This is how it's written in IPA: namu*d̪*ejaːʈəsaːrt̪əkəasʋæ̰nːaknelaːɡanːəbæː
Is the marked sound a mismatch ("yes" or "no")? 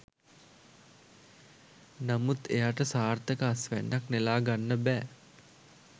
yes